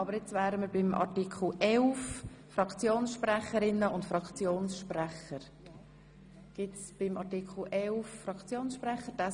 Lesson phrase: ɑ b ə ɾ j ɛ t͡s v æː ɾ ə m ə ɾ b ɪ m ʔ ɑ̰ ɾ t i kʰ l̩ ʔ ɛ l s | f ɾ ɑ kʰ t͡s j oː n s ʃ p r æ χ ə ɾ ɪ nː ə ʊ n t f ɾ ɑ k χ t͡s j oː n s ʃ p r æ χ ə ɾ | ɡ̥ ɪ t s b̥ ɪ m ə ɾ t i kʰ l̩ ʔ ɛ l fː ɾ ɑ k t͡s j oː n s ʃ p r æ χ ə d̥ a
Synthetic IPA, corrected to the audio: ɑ b ə ɾ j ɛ t͡s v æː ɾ ə m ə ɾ b ɪ m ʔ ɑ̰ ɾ t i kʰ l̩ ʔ ɛ l f | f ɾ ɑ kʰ t͡s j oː n s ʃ p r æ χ ə ɾ ɪ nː ə ʊ n t f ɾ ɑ k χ t͡s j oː n s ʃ p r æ χ ə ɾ | ɡ̥ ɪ t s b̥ ɪ m ɑ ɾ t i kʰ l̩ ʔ ɛ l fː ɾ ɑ k t͡s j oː n s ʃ p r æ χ ə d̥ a